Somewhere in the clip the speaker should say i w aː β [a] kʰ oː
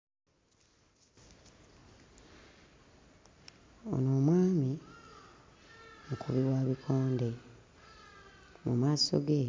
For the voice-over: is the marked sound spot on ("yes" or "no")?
no